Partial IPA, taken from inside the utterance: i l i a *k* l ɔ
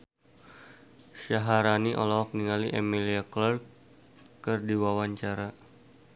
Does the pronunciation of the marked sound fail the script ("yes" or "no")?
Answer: no